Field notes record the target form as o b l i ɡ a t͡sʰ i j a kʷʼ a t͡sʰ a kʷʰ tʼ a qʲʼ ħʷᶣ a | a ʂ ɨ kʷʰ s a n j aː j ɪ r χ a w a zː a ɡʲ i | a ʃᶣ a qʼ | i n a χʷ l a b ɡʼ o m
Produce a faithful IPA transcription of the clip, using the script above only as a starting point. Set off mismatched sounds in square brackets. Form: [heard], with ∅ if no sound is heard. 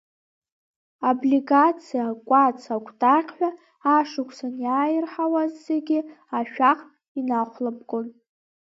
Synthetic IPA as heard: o b l i ɡ a t͡sʰ i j a kʷʼ a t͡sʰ a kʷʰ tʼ a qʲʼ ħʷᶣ a | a ʂ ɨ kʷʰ s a n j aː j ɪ r [ħ] a w a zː [e] ɡʲ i | a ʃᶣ a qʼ | i n a χʷ l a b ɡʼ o [n]